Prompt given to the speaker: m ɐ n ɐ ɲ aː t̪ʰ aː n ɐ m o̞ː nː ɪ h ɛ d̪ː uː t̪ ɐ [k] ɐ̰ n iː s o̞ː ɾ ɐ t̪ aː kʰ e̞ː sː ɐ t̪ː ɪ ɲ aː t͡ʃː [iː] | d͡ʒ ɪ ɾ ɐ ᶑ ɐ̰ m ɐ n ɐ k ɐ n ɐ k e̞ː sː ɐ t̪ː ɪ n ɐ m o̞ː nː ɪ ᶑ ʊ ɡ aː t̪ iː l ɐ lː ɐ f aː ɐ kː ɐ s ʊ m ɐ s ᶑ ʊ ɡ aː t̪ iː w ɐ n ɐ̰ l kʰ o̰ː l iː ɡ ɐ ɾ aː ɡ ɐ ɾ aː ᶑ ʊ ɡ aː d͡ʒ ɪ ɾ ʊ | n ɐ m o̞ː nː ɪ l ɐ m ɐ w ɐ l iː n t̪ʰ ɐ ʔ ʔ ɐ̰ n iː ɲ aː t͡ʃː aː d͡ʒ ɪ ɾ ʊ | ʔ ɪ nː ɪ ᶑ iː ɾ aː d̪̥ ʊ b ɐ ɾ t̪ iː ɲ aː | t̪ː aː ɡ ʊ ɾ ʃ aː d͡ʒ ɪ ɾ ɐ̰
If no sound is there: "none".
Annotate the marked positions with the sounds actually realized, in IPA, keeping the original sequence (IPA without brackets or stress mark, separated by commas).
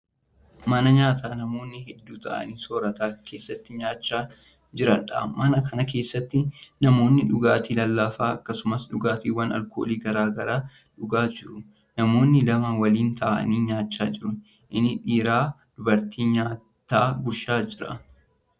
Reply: ʔ, aː